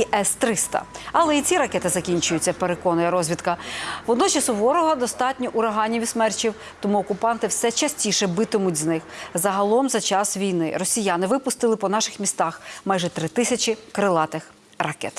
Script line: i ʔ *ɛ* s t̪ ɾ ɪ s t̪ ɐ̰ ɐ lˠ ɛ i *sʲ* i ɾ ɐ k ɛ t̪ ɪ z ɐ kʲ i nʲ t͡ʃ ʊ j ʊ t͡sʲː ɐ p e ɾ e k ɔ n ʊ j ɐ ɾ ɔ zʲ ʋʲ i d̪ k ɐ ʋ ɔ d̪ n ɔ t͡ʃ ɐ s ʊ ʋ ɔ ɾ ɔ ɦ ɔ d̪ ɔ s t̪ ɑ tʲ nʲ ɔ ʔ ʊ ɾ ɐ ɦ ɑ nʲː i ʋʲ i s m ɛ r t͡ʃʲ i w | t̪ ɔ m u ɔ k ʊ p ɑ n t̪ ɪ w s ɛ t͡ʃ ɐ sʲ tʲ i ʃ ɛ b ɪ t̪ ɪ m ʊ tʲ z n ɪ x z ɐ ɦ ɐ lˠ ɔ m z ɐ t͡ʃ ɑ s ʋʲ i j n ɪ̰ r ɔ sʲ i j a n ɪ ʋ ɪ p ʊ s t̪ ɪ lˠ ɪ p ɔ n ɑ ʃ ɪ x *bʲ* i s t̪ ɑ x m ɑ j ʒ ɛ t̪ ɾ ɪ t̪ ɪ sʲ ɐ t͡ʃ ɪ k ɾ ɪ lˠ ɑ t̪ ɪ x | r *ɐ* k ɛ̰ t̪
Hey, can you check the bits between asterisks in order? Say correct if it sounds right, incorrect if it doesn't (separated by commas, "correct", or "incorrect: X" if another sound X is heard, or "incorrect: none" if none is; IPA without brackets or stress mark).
correct, incorrect: t͡sʲ, incorrect: mʲ, correct